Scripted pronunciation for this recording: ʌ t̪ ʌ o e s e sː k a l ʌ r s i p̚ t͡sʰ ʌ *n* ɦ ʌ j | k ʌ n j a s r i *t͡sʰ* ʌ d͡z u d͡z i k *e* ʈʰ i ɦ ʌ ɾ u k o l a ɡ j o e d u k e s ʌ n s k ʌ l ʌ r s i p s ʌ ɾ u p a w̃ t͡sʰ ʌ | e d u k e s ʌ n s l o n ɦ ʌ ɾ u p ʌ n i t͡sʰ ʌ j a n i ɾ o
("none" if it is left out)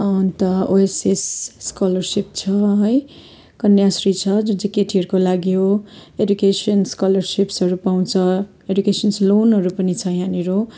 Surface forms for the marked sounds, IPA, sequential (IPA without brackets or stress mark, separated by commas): none, t͡sʰ, e